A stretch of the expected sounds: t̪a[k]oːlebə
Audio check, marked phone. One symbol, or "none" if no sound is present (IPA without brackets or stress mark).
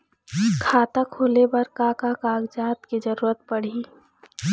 kʰ